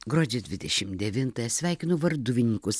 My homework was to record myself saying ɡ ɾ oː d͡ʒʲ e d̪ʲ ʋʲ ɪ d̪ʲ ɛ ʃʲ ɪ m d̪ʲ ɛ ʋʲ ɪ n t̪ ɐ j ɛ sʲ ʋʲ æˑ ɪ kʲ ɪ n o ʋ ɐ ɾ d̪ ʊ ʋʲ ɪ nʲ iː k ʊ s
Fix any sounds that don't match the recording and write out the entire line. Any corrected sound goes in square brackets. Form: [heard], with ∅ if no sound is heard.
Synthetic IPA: ɡ ɾ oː d͡ʒʲ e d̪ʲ ʋʲ ɪ d̪ʲ ɛ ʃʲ ɪ m d̪ʲ ɛ ʋʲ ɪ n t̪ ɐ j ɛ sʲ ʋʲ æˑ ɪ kʲ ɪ n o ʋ ɐ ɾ d̪ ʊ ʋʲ ɪ nʲ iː k ʊ s